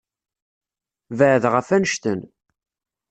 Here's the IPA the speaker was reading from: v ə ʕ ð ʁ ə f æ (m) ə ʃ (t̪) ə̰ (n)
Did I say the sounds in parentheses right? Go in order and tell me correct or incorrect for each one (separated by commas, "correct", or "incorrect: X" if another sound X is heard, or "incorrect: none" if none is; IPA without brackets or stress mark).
incorrect: n, correct, correct